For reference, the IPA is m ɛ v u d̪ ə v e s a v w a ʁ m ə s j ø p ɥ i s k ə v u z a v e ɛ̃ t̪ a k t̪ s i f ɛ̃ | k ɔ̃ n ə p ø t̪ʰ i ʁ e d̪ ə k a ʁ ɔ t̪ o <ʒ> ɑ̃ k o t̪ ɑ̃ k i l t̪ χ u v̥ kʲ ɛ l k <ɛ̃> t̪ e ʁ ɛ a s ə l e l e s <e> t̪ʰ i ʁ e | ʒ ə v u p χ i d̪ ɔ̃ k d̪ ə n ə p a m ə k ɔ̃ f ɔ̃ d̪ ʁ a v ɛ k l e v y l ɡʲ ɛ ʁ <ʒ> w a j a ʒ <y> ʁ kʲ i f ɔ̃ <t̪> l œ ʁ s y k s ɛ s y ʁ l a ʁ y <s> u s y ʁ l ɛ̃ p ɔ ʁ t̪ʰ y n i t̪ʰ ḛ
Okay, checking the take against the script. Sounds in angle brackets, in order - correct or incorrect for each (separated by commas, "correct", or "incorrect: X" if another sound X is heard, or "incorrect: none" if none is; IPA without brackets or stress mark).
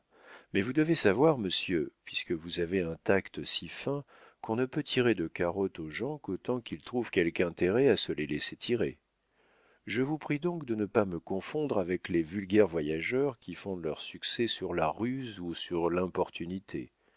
correct, correct, correct, incorrect: v, incorrect: œ, incorrect: d̪, incorrect: z